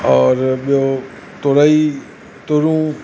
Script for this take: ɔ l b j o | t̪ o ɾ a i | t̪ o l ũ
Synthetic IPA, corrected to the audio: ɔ ɾ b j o | t̪ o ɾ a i | t̪ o ɾ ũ